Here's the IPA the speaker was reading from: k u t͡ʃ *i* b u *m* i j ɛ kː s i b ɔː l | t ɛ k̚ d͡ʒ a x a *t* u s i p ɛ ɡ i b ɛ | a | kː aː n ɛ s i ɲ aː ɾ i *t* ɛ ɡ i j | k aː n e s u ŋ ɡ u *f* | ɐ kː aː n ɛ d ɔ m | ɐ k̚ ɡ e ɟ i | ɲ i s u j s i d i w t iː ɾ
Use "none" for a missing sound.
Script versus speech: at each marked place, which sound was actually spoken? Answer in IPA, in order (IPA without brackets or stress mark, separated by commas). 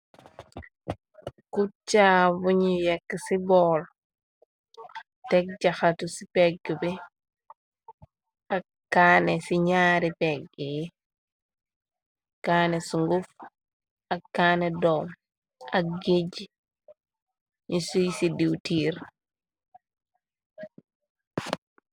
a, ɲ, t, p, f